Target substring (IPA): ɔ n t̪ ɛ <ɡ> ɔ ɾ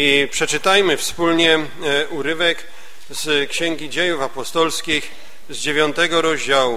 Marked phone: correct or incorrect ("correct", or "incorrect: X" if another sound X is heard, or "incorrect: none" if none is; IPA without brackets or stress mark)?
correct